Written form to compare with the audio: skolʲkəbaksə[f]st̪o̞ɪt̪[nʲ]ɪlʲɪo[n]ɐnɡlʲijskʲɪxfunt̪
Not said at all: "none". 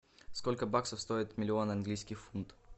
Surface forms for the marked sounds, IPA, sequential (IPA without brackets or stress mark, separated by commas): f, mʲ, n